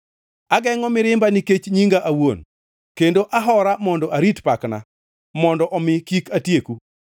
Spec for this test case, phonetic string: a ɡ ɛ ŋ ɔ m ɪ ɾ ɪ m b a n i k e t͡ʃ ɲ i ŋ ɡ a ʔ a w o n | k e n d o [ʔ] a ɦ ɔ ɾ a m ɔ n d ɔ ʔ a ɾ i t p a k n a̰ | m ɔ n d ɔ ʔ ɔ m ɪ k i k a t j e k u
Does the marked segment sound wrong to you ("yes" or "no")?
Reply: no